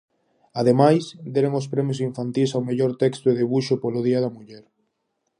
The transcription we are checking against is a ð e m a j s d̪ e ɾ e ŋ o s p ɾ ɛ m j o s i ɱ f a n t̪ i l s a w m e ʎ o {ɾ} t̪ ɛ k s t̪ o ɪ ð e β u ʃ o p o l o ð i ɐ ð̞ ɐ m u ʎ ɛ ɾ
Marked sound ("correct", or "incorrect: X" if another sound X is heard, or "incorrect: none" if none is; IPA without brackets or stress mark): correct